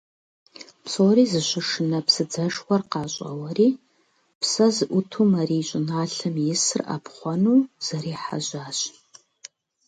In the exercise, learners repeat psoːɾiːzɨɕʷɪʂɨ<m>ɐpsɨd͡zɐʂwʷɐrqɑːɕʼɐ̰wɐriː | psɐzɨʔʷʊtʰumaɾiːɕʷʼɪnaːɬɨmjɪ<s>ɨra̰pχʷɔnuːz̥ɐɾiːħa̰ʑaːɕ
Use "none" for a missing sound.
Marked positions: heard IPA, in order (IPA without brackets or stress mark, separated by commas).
n, s